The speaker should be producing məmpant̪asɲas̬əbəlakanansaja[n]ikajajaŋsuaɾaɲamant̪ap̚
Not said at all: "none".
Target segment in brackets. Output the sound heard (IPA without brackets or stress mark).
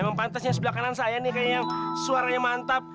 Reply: n